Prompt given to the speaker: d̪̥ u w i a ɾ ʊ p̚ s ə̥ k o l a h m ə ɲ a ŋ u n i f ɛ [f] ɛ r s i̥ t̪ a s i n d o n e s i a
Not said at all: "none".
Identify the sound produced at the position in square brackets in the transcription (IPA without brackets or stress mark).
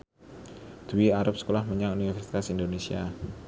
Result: f